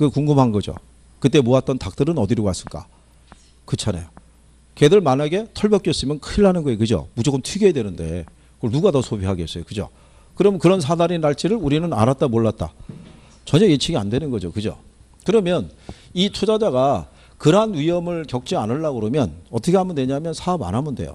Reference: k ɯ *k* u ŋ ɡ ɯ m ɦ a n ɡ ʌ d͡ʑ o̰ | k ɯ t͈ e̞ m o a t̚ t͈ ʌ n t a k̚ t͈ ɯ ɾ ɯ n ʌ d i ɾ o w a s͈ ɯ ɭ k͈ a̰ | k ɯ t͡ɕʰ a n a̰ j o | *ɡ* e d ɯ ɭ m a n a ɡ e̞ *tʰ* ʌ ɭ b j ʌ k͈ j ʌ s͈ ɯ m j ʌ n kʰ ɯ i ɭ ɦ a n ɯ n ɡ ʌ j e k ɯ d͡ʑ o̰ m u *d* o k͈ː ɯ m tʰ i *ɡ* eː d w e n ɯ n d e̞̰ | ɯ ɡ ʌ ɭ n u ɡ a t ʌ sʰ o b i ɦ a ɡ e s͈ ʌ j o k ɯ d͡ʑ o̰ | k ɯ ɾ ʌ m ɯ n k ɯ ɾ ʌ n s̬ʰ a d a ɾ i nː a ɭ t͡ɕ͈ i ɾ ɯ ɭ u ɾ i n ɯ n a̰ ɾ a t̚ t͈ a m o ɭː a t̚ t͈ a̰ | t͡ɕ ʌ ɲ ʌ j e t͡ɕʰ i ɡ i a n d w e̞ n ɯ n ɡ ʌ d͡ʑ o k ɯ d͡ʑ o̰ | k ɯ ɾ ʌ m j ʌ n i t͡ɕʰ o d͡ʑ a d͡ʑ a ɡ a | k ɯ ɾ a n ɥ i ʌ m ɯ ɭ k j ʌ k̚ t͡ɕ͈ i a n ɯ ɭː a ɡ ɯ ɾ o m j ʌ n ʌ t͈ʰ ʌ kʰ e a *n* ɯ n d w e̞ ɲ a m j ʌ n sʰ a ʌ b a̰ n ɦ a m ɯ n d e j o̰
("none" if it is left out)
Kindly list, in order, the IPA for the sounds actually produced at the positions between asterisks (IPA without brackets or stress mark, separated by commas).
k, k, tʰ, d͡ʑ, ɡ, m